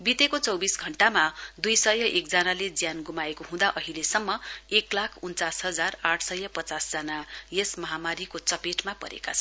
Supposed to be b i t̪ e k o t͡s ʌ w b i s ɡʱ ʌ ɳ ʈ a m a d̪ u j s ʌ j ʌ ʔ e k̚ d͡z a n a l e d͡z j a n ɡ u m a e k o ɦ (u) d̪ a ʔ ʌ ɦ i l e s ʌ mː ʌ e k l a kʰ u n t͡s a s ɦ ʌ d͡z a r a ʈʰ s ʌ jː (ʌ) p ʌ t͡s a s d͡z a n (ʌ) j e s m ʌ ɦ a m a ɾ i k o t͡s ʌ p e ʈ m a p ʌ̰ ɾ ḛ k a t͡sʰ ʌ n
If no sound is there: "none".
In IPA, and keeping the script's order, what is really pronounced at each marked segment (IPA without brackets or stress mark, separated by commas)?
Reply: ũ, ʌ, a